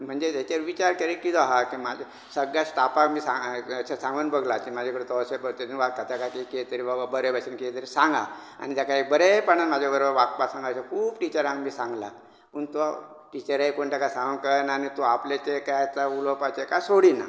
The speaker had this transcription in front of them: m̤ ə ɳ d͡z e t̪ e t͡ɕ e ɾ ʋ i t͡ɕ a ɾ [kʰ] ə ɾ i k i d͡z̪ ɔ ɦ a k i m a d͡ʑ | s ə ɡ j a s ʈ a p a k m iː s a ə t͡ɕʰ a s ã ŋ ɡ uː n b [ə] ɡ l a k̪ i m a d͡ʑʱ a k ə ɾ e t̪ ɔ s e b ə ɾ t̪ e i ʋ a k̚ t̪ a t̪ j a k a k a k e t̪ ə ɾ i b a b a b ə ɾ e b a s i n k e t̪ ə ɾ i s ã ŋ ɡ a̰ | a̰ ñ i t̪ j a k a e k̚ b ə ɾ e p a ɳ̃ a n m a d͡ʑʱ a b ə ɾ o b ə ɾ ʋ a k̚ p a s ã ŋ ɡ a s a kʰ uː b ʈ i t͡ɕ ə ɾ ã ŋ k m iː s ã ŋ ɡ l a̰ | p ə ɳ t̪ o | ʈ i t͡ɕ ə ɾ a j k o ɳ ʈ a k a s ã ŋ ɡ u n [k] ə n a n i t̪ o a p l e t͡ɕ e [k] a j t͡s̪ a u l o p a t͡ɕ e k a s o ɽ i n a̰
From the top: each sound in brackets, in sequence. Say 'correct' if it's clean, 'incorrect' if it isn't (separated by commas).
incorrect, correct, correct, correct